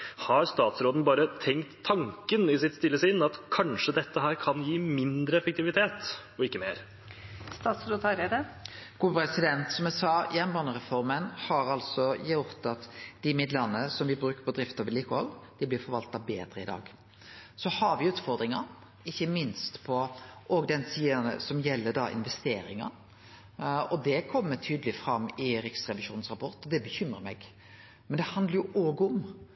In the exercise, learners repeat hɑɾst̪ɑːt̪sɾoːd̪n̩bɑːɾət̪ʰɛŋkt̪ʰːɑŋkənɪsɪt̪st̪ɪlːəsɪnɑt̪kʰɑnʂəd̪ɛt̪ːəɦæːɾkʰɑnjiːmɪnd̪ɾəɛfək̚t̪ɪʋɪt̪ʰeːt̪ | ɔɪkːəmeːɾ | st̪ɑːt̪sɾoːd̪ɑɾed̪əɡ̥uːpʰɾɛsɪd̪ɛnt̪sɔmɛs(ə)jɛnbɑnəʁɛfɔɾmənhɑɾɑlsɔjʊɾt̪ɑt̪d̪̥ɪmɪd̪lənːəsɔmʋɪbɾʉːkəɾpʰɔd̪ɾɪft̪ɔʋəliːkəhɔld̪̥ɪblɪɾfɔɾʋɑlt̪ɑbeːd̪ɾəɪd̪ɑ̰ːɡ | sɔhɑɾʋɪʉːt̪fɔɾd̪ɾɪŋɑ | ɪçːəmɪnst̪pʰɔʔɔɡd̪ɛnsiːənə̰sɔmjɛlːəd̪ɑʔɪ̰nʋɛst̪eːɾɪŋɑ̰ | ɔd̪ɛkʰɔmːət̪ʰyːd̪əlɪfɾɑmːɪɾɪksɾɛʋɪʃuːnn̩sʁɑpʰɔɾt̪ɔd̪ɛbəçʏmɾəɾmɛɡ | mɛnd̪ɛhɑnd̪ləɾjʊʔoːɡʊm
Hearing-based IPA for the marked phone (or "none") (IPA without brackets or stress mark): ɑ